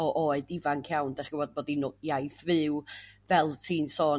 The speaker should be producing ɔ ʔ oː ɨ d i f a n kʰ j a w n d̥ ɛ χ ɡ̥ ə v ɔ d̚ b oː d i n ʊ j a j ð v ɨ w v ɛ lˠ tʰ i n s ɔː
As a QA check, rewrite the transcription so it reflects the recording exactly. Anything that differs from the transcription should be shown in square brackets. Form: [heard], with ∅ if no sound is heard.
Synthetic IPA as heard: ɔ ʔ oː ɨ d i [v] a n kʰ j a w n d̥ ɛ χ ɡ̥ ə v ɔ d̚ b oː d i n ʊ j a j [θ] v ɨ w v ɛ lˠ tʰ [iː] n s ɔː